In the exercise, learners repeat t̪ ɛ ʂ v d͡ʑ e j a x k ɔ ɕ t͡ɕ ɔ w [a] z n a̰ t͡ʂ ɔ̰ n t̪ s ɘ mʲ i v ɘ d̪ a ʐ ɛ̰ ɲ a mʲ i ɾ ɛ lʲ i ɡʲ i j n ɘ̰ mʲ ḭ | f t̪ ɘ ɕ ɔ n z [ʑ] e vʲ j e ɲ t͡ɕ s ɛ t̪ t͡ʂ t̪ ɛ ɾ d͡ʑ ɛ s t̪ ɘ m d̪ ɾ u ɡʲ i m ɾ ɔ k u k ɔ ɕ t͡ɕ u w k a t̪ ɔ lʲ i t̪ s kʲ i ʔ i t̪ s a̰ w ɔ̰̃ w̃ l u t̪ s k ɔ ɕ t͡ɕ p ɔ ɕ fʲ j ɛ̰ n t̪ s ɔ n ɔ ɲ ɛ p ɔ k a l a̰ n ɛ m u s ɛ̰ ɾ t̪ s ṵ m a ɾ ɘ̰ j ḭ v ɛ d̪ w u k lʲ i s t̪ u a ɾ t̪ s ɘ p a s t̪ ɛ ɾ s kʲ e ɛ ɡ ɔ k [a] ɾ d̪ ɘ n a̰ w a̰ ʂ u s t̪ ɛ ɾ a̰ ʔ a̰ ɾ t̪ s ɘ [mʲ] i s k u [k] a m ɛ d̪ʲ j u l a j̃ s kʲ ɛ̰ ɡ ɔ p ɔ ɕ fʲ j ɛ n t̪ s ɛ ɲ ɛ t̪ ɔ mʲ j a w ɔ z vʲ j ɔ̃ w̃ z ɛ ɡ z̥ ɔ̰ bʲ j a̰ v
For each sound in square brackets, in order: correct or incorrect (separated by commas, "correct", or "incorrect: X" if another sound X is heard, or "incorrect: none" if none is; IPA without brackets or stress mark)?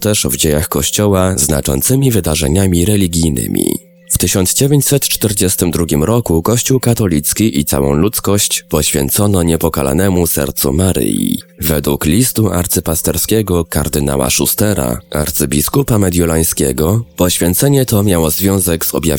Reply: correct, incorrect: d͡ʑ, correct, incorrect: bʲ, incorrect: p